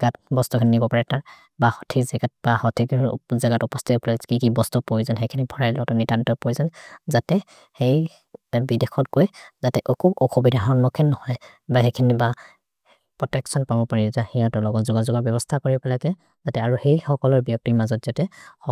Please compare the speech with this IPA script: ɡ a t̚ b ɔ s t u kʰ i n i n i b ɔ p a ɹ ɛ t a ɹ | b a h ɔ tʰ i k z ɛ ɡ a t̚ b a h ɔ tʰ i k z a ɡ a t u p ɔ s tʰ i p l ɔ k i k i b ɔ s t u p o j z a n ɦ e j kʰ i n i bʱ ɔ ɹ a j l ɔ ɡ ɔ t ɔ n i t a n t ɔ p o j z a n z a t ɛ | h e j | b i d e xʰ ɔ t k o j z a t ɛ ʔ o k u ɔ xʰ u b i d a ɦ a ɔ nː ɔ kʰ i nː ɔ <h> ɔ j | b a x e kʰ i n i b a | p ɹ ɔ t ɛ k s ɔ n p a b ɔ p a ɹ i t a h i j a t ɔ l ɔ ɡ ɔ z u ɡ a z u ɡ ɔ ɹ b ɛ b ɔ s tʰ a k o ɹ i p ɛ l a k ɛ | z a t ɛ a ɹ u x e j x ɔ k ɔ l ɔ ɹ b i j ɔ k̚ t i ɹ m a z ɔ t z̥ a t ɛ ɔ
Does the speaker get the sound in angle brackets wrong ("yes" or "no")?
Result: no